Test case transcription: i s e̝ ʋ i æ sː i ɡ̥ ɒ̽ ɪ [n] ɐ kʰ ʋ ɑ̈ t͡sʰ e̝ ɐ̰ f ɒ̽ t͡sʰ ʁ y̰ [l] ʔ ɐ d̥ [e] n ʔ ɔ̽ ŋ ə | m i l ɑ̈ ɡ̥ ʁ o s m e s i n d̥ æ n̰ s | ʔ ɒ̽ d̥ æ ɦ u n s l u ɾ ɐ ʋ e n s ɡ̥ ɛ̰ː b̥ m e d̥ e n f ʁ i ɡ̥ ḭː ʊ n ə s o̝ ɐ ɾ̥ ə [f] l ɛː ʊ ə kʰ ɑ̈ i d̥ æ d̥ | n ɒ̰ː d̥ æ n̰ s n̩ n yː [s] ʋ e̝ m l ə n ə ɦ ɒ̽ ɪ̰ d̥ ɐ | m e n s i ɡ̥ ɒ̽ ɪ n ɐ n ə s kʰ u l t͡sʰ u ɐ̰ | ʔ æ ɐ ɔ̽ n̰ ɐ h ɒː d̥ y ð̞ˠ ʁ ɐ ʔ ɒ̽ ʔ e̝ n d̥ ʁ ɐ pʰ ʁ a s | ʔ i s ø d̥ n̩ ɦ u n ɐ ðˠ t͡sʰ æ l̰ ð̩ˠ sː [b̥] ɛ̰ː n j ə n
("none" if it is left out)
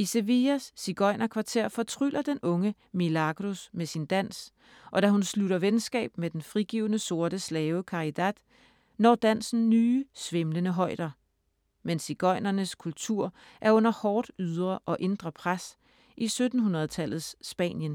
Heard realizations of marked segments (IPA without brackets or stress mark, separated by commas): n, l, e, s, s, b̥